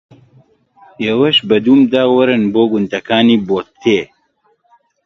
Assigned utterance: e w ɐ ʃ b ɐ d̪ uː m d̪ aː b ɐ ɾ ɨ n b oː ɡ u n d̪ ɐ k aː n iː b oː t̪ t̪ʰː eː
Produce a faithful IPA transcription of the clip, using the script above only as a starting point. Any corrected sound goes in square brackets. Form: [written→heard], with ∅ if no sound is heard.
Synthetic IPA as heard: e w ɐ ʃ b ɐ d̪ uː m d̪ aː [b→w] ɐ ɾ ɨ n b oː ɡ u n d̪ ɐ k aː n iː b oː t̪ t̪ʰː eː